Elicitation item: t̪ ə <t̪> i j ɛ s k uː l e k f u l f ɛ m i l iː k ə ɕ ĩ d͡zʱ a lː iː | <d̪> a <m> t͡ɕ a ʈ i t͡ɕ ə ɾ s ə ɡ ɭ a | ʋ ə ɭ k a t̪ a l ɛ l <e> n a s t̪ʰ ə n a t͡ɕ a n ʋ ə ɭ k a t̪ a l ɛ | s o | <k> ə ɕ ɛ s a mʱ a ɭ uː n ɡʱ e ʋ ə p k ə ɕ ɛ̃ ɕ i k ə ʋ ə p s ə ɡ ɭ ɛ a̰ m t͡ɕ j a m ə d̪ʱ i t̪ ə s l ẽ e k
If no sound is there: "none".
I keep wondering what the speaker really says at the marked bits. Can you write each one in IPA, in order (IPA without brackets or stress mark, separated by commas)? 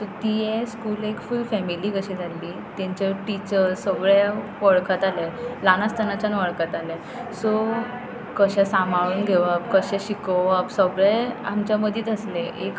t̪, t̪, ɲ, a, k